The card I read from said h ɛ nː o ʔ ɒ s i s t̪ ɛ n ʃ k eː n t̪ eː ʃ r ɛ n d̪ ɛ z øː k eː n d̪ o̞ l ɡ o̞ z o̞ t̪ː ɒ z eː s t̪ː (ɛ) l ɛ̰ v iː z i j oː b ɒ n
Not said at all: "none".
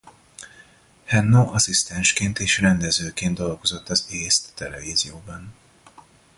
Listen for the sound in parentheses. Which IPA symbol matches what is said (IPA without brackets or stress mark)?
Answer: ɛ